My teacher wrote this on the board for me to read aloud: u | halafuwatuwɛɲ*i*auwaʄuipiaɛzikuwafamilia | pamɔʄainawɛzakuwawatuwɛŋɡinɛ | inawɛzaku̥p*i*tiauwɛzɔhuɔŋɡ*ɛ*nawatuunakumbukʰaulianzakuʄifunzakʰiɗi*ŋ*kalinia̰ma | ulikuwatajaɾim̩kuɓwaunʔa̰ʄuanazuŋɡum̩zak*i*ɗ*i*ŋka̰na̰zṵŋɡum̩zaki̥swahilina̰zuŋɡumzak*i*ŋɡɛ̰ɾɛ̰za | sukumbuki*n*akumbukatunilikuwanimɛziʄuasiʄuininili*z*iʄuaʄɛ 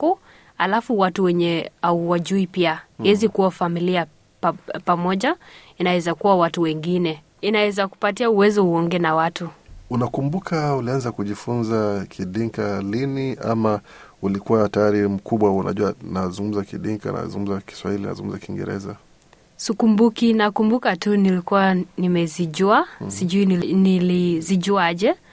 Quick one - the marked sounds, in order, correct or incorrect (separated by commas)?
incorrect, incorrect, correct, correct, correct, correct, correct, correct, correct